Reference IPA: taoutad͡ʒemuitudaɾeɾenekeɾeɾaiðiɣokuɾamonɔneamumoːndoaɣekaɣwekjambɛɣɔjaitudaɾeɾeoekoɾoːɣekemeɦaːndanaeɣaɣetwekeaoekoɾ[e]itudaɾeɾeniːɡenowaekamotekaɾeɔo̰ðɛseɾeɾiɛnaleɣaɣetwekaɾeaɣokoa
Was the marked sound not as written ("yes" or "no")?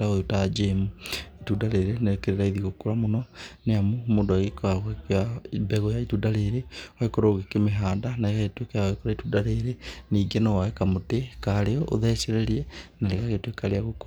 yes